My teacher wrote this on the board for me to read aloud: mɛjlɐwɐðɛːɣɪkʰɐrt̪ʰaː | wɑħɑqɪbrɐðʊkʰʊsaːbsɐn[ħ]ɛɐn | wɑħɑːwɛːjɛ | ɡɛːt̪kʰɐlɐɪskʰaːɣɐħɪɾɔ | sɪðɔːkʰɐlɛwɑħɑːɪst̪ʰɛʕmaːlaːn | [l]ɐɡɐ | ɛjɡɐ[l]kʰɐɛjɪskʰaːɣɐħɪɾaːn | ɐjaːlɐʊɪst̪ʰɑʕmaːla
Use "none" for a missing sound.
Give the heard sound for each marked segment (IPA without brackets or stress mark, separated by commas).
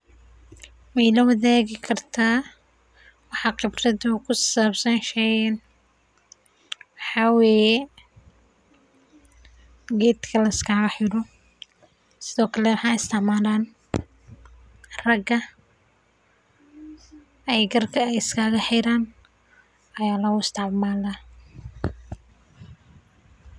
ʃ, r, r